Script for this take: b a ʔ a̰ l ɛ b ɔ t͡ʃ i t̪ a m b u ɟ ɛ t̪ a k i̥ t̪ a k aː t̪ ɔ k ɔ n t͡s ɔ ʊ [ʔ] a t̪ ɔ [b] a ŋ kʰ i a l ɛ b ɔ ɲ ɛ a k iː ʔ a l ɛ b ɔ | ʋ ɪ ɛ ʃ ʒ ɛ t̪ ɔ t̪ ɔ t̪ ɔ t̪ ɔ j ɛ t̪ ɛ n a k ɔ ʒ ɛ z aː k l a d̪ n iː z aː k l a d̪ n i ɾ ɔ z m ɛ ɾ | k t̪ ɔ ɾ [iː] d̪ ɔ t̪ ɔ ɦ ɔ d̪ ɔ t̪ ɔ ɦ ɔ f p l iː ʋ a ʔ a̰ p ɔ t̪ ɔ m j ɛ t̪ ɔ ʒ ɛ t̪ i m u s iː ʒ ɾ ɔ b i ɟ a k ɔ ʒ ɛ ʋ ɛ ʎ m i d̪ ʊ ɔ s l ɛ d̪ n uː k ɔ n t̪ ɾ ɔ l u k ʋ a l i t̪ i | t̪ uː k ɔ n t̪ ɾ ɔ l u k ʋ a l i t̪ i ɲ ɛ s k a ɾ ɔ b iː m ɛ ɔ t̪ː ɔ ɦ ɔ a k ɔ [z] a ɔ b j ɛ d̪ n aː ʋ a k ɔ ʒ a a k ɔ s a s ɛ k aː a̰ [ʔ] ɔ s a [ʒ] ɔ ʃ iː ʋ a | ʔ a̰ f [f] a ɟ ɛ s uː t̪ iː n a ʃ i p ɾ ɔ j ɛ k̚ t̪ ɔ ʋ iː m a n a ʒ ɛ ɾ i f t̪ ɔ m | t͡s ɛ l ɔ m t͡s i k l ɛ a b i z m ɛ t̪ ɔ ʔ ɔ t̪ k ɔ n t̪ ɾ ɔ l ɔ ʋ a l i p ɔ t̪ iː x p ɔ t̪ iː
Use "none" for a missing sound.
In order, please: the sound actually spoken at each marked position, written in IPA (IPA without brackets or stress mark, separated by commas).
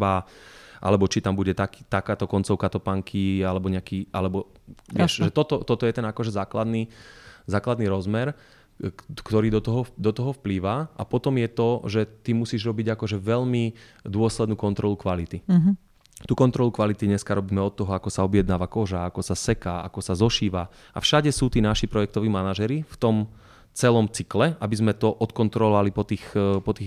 k, p, iː, s, k, z, ʃ